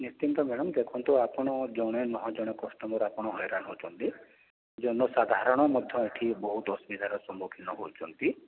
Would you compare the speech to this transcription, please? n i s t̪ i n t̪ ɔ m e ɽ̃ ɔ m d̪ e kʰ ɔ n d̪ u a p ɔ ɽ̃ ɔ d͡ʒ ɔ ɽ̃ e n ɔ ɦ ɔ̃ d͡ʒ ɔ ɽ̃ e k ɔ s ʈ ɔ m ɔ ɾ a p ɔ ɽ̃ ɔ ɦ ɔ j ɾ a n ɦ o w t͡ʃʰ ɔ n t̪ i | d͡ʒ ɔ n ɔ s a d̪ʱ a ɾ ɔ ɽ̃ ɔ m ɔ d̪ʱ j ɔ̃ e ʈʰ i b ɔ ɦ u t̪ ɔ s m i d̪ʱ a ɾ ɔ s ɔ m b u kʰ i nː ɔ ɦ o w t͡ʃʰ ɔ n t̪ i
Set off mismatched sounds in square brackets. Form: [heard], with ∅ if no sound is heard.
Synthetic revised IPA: n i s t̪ i n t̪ ɔ m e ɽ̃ ɔ m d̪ e kʰ ɔ n [t̪] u a p ɔ ɽ̃ ɔ d͡ʒ ɔ ɽ̃ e n ɔ ɦ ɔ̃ d͡ʒ ɔ ɽ̃ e k ɔ s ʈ ɔ m ɔ ɾ a p ɔ ɽ̃ ɔ ɦ ɔ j ɾ a n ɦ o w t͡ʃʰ ɔ n t̪ i | d͡ʒ ɔ n ɔ s a d̪ʱ a ɾ ɔ ɽ̃ ɔ m ɔ d̪ʱ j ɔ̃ e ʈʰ i b ɔ ɦ u t̪ ɔ s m i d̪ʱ a ɾ ɔ s ɔ m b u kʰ i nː ɔ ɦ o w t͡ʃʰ ɔ n t̪ i